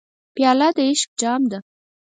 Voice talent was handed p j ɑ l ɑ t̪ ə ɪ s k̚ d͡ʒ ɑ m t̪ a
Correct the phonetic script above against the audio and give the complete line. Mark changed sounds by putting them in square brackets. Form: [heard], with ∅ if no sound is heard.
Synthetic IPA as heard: p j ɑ l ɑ [d̪] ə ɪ [ʃ] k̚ d͡ʒ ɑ m [d̪] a